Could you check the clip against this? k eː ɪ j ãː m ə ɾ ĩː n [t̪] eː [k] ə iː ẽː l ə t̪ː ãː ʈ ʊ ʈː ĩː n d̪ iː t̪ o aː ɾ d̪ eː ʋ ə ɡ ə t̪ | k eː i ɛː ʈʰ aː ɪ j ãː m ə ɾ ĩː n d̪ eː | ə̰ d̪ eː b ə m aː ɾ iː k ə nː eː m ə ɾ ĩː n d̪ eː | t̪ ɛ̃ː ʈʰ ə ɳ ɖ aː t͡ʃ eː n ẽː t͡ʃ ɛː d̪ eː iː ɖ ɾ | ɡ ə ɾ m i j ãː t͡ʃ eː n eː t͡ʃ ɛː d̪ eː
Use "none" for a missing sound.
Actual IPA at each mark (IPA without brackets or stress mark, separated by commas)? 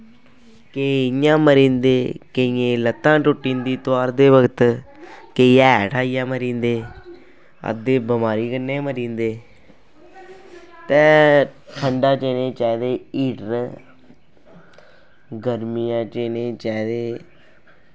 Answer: d̪, k